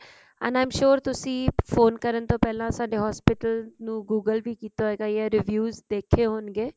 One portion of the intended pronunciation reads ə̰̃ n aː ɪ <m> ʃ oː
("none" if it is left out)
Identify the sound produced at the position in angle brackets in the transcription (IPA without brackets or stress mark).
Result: m